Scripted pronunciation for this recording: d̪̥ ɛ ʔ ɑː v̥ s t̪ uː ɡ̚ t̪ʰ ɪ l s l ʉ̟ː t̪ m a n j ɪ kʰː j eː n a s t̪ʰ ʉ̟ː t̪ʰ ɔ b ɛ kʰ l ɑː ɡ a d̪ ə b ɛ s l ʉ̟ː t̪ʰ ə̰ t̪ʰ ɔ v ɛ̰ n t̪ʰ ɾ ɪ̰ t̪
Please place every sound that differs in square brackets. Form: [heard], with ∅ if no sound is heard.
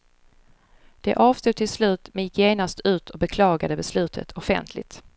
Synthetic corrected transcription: d̪̥ ɛ ʔ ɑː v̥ s t̪ uː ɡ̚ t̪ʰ ɪ l s l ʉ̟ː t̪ m [ɛ] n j ɪ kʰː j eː n a s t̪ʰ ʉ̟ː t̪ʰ ɔ b ɛ kʰ l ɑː ɡ a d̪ ə b ɛ s l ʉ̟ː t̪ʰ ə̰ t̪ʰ ɔ [f] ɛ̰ n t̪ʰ [l] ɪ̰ t̪